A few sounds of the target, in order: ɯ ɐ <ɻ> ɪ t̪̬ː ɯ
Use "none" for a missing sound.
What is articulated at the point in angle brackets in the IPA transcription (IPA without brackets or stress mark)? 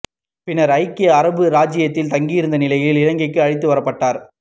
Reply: ɻ